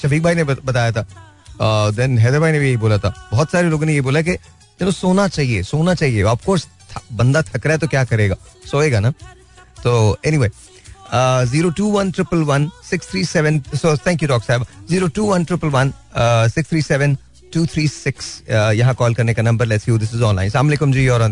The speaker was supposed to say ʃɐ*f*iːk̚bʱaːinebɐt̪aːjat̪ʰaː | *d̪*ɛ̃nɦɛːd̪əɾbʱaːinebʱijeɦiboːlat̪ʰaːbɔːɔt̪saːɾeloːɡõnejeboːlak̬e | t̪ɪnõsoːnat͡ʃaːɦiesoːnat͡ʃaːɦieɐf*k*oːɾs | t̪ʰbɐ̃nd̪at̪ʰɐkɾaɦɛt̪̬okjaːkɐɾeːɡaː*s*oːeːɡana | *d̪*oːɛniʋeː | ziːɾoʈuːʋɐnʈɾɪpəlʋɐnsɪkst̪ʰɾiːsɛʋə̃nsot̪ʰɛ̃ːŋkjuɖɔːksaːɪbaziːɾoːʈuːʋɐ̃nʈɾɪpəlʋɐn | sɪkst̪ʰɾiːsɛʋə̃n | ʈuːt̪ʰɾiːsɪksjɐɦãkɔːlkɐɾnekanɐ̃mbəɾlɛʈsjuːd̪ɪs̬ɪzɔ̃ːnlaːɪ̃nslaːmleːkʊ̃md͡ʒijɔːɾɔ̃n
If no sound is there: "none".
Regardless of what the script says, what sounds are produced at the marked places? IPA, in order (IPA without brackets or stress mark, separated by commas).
f, d̪, k, s, t̪